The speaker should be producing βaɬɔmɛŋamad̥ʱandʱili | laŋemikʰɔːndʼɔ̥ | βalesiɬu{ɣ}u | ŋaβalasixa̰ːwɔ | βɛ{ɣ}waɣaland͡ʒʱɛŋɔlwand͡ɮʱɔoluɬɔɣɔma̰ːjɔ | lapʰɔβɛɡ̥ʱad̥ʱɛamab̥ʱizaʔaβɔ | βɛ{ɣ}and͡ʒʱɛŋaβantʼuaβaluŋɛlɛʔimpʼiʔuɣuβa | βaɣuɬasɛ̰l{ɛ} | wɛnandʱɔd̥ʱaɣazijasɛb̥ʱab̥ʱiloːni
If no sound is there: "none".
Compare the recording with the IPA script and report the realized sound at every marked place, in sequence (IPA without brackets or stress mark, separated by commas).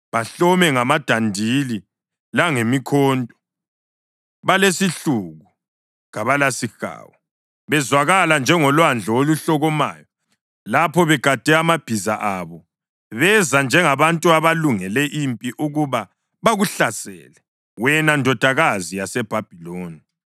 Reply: ɣ, z, z, ɛ